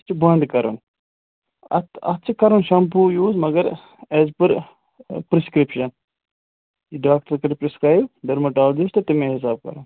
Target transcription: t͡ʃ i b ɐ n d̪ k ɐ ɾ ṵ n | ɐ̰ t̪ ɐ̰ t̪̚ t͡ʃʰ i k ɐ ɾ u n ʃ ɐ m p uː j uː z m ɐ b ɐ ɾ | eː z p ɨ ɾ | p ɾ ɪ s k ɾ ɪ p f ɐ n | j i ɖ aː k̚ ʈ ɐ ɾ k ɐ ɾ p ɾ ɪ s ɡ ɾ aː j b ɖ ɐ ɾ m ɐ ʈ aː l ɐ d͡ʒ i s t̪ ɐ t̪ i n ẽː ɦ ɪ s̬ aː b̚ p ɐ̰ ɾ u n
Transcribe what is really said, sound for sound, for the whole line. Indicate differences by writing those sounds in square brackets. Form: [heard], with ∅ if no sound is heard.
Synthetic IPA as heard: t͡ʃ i b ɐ n d̪ k ɐ ɾ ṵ n | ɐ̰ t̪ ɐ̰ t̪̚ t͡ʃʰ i k ɐ ɾ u n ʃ ɐ m p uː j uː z m ɐ [ɡ] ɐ ɾ | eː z p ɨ ɾ | p ɾ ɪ s k ɾ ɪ p [ʃ] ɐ n | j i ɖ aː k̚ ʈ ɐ ɾ k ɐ ɾ p ɾ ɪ s [k] ɾ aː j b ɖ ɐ ɾ m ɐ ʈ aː l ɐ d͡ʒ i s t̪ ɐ t̪ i [m] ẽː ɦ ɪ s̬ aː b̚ [k] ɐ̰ ɾ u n